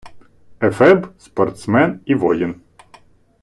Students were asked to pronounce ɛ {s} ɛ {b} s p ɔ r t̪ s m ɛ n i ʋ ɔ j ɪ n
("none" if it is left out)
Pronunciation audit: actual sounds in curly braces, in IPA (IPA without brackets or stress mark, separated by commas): f, b